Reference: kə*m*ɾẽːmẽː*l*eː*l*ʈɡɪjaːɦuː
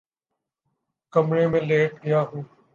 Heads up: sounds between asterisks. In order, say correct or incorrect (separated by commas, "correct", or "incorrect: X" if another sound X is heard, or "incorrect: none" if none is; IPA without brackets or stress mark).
correct, correct, incorrect: none